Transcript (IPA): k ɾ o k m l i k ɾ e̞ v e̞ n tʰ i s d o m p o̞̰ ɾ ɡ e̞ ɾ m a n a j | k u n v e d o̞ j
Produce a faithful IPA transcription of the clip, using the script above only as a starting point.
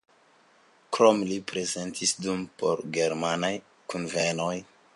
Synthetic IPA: k ɾ o m l i p ɾ e̞ z e̞ n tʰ i s d u m p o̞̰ ɾ ɡ e̞ ɾ m a n a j | k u n v e n o̞ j